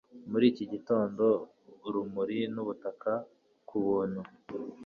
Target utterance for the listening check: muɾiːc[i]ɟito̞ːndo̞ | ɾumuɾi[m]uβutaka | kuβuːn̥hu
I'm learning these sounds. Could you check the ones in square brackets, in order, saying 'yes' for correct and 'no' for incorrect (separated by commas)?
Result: yes, no